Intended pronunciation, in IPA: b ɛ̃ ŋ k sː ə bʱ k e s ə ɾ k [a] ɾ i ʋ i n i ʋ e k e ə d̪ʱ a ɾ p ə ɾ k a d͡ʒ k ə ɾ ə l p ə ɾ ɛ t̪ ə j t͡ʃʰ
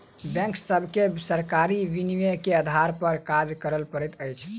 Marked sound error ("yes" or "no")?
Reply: no